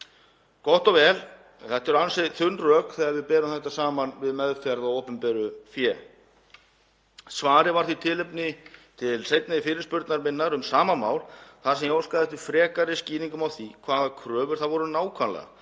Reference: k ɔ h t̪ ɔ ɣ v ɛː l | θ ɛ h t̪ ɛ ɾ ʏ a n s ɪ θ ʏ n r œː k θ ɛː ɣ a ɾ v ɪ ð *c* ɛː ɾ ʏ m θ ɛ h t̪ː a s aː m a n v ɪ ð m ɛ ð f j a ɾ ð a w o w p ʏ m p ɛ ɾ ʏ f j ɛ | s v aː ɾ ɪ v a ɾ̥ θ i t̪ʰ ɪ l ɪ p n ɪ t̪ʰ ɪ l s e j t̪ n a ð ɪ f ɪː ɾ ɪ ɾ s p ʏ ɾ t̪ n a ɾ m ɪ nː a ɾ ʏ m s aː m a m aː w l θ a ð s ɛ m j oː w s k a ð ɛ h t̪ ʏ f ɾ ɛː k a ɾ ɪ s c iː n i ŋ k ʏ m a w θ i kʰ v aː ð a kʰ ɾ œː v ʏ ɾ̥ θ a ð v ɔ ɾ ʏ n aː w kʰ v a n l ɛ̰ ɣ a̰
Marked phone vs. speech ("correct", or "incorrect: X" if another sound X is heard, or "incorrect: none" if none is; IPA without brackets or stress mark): incorrect: p